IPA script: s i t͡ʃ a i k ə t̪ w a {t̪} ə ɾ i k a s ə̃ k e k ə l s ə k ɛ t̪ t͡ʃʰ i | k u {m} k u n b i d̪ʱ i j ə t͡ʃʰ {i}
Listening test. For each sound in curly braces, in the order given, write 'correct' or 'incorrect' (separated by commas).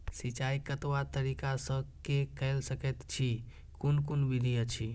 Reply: correct, incorrect, correct